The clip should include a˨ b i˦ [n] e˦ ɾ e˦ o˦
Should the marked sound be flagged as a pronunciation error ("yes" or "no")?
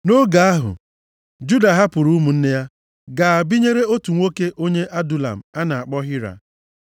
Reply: yes